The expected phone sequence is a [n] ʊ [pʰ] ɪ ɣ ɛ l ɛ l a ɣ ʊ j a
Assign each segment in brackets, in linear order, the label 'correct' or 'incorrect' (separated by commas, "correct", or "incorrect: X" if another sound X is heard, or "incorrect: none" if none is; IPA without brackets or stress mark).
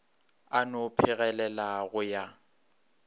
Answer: correct, correct